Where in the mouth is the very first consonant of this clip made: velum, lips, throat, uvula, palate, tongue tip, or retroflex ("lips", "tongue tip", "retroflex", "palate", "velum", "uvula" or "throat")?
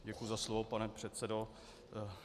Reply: palate